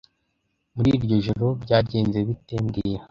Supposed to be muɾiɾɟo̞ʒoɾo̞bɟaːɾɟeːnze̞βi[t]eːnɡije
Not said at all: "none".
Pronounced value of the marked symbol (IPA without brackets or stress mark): t